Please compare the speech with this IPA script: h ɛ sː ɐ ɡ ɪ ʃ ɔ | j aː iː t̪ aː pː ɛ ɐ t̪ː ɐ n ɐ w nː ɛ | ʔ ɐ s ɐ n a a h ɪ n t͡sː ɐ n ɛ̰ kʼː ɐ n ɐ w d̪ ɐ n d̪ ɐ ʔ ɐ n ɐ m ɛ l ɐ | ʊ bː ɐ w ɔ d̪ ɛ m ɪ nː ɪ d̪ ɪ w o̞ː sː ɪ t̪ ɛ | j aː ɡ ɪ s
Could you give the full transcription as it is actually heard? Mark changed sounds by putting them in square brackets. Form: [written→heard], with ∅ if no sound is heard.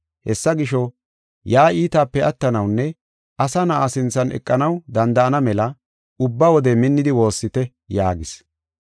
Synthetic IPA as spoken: h ɛ sː ɐ ɡ ɪ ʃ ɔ | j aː iː t̪ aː pː ɛ ɐ t̪ː ɐ n ɐ w nː ɛ | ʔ ɐ s ɐ n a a [h→s] ɪ n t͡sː ɐ n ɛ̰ kʼː ɐ n ɐ w d̪ ɐ n d̪ ɐ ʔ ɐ n ɐ m ɛ l ɐ | ʊ bː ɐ w ɔ d̪ ɛ m ɪ nː ɪ d̪ ɪ w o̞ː sː ɪ t̪ ɛ | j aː ɡ ɪ s

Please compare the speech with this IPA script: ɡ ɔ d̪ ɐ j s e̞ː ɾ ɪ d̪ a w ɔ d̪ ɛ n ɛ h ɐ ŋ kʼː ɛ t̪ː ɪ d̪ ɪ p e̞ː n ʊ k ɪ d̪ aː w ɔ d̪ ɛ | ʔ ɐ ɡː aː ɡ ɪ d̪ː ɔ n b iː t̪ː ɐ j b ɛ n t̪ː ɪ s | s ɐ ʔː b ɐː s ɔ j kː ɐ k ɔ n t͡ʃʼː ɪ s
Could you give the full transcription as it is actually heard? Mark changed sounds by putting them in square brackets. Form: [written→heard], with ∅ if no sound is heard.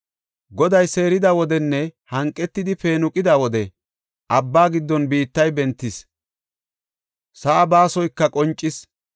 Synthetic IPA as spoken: ɡ ɔ d̪ ɐ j s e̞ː ɾ ɪ d̪ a w ɔ d̪ ɛ [n→nː] ɛ h ɐ ŋ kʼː ɛ t̪ː ɪ d̪ ɪ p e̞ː n ʊ [k→kʼ] ɪ d̪ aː w ɔ d̪ ɛ | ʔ ɐ [ɡː→bː] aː ɡ ɪ d̪ː ɔ n b iː t̪ː ɐ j b ɛ n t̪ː ɪ s | s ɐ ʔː b [ɐː→aː] s ɔ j kː ɐ [k→kʼ] ɔ n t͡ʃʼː ɪ s

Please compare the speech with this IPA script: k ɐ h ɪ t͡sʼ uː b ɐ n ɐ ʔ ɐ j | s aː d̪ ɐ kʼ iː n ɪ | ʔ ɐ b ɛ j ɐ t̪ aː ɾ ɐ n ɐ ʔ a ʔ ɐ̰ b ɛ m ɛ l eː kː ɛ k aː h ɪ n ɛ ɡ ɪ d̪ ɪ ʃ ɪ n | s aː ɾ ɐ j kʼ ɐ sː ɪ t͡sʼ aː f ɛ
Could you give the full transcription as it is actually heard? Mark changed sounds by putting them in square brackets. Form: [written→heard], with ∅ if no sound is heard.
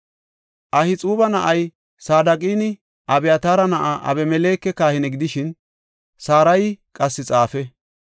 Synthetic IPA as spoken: [k→ʔ] ɐ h ɪ t͡sʼ uː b ɐ n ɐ ʔ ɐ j | s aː d̪ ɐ kʼ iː n ɪ | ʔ ɐ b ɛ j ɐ t̪ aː ɾ ɐ n ɐ ʔ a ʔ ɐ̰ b ɛ m ɛ l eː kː ɛ k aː h ɪ n ɛ ɡ ɪ d̪ ɪ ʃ ɪ n | s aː ɾ ɐ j kʼ ɐ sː ɪ t͡sʼ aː f ɛ

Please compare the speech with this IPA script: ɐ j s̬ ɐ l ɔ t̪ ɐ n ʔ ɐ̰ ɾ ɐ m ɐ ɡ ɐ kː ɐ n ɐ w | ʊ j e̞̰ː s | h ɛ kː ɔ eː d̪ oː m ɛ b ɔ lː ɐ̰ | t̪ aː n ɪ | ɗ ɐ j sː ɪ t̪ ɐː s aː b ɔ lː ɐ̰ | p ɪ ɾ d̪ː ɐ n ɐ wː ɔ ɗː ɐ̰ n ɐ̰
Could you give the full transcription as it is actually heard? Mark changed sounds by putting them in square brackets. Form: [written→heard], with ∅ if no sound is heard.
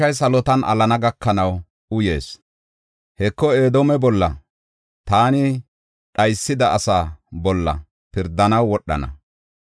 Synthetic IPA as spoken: ɐ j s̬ ɐ l ɔ t̪ ɐ n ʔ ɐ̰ [ɾ→l] ɐ [m→n] ɐ ɡ ɐ kː ɐ n ɐ w | ʊ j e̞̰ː s | h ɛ kː ɔ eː d̪ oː m ɛ b ɔ lː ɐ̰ | t̪ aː n ɪ | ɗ ɐ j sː ɪ [t̪→d̪] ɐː s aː b ɔ lː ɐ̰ | p ɪ ɾ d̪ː ɐ n ɐ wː ɔ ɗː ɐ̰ n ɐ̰

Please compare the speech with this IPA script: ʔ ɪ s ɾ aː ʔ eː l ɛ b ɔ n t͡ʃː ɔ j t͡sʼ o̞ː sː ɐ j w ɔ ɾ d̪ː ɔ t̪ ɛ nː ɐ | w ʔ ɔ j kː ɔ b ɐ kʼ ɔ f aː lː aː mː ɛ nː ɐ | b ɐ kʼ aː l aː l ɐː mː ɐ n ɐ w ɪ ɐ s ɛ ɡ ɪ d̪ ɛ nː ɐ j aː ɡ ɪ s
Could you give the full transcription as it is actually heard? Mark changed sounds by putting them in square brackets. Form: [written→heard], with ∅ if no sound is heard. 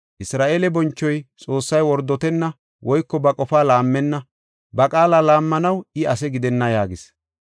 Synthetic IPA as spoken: ʔ ɪ s ɾ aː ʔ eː l ɛ b ɔ n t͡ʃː ɔ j t͡sʼ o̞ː sː ɐ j w ɔ ɾ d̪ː ɔ t̪ ɛ nː ɐ | w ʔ ɔ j kː ɔ b ɐ kʼ ɔ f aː [lː→l] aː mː ɛ nː ɐ | b ɐ kʼ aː l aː l [ɐː→aː] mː ɐ n ɐ w ɪ ɐ s ɛ ɡ ɪ d̪ ɛ nː ɐ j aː ɡ ɪ s

